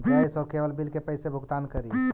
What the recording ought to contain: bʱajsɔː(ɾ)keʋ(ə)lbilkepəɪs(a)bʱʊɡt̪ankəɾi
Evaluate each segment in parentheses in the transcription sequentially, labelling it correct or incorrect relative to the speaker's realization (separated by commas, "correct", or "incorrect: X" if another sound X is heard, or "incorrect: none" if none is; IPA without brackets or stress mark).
correct, correct, incorrect: e